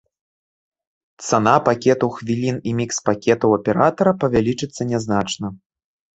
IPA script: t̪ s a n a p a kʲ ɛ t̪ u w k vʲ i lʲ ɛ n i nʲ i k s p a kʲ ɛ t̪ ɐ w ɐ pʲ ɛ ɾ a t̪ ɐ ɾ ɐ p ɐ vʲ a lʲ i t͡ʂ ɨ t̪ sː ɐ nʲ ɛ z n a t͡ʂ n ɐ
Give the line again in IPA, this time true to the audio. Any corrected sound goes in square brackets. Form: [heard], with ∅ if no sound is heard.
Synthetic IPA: t̪ s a n a p a kʲ ɛ t̪ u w [x] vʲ i lʲ [i] n i [mʲ] i k s p a kʲ ɛ t̪ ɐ w ɐ pʲ ɛ ɾ a t̪ ɐ ɾ ɐ p ɐ vʲ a lʲ i t͡ʂ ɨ t̪ sː ɐ nʲ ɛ z n a t͡ʂ n ɐ

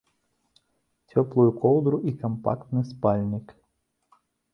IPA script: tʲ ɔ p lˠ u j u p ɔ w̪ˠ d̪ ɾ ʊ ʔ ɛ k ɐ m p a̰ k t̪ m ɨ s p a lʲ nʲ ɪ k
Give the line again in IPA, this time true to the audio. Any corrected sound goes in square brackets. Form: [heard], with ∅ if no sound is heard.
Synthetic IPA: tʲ ɔ p lˠ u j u [k] ɔ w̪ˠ d̪ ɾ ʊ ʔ [i] k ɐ m p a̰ k t̪ [n] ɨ s p a lʲ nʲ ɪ k

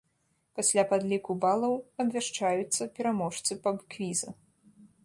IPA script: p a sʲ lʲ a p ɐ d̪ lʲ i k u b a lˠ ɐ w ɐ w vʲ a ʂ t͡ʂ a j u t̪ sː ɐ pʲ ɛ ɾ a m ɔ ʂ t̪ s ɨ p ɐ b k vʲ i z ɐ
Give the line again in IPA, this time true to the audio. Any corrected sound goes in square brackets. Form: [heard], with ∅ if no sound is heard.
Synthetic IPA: p a sʲ lʲ a p [a] d̪ lʲ i k u b a lˠ ɐ w ɐ [b] vʲ a ʂ t͡ʂ a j u t̪ sː ɐ pʲ ɛ ɾ a m ɔ ʂ t̪ s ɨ p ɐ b k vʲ i z ɐ

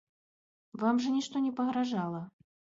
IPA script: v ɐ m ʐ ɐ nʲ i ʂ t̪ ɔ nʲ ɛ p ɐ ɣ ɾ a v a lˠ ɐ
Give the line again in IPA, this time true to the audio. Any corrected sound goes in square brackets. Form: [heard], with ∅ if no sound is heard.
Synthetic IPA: v [a] m ʐ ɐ nʲ i ʂ t̪ ɔ nʲ ɛ p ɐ ɣ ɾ a [ʐ] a lˠ ɐ

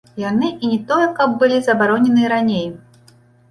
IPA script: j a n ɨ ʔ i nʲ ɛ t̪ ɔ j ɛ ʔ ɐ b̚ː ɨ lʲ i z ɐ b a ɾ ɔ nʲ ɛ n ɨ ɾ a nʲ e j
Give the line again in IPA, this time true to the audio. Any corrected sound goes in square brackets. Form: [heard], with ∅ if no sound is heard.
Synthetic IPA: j a n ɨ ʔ i nʲ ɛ t̪ ɔ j ɛ [k] ɐ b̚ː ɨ lʲ i z ɐ b a ɾ ɔ nʲ ɛ n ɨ ɾ a nʲ e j

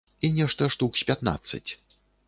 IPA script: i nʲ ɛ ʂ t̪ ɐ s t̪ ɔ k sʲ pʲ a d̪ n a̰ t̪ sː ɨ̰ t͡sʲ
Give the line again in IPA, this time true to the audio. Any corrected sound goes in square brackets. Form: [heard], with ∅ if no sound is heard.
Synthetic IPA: i nʲ ɛ ʂ t̪ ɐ [ʂ] t̪ [u] k sʲ pʲ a [t̪] n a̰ t̪ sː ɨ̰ t͡sʲ

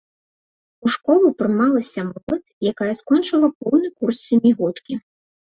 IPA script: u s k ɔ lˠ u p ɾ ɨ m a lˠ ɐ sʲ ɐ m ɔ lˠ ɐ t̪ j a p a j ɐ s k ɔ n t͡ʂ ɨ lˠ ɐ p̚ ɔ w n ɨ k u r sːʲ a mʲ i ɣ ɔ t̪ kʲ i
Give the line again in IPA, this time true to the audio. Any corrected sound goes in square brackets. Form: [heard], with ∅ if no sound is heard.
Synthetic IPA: u [ʂ] k ɔ lˠ u p ɾ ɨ m a lˠ ɐ sʲ ɐ m ɔ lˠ ɐ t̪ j a [k] a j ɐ s k ɔ n t͡ʂ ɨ lˠ ɐ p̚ ɔ w n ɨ k u r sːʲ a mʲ i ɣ ɔ t̪ kʲ i

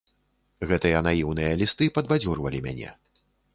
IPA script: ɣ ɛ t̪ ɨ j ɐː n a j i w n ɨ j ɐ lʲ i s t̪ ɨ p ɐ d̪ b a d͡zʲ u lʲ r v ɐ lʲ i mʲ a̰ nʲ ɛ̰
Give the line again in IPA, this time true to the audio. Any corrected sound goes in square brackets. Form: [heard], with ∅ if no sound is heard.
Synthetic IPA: ɣ ɛ t̪ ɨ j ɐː n a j i w n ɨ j ɐ lʲ i s t̪ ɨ p ɐ d̪ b a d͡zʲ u [∅] r v ɐ lʲ i mʲ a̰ nʲ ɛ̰

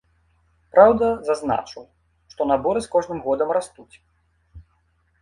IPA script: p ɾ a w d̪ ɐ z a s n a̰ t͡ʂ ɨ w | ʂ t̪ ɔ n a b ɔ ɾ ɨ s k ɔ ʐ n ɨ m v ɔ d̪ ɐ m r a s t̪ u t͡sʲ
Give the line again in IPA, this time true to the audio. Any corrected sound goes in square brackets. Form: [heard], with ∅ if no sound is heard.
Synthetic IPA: p ɾ a w d̪ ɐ z a [z] n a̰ t͡ʂ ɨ w | ʂ t̪ ɔ n a b ɔ ɾ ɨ s k ɔ ʐ n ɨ m [ɣ] ɔ d̪ ɐ m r a s t̪ u t͡sʲ

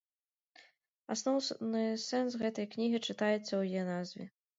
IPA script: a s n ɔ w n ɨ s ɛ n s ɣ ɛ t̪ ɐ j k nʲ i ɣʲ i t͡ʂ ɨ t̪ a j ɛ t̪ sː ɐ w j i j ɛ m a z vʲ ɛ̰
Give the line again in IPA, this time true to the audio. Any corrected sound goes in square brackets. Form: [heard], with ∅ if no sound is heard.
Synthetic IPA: a s n ɔ w n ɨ s ɛ n s ɣ ɛ t̪ ɐ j k nʲ i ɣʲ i t͡ʂ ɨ t̪ a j ɛ t̪ sː ɐ w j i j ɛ [n] a z vʲ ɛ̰

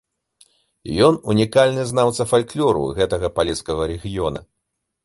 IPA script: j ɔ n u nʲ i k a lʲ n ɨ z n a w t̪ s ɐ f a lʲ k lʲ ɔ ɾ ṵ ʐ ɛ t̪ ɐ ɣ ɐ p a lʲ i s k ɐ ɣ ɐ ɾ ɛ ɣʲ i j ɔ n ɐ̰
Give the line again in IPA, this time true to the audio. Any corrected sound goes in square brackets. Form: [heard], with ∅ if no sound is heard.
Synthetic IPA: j ɔ n u nʲ i k a lʲ n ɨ z n a w t̪ s ɐ f a lʲ k lʲ ɔ ɾ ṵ [ɣ] ɛ t̪ ɐ ɣ ɐ p a lʲ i s k ɐ ɣ ɐ ɾ ɛ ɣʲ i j ɔ n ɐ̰

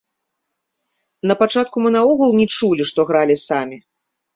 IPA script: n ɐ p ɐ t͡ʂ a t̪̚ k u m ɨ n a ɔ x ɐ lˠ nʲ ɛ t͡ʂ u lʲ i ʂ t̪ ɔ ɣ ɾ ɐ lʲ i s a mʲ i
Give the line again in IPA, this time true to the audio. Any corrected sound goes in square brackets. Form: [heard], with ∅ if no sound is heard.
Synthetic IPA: n ɐ p [a] t͡ʂ a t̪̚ k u m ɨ n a ɔ [ɣ] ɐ lˠ nʲ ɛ t͡ʂ u lʲ i ʂ t̪ ɔ ɣ ɾ [a] lʲ i s a mʲ i

